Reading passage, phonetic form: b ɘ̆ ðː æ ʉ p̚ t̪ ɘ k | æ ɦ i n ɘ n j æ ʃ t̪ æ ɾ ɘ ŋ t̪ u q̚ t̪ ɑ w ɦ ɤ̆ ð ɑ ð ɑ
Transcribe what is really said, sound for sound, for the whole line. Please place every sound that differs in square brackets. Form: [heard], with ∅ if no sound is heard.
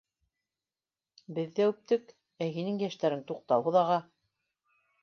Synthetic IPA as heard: b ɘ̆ ðː æ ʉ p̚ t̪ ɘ k | æ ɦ i n ɘ [ŋ] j æ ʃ t̪ æ ɾ ɘ ŋ t̪ u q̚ t̪ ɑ w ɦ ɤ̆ ð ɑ [ʁ] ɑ